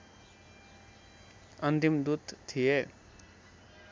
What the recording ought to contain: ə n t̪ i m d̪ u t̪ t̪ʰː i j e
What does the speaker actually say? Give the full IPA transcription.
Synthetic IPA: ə n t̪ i m d̪ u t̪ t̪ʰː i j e